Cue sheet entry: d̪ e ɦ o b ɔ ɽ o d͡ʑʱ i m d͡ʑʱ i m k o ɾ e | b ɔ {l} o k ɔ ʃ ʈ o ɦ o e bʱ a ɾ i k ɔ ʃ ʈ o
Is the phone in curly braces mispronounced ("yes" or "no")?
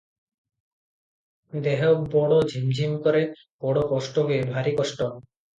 yes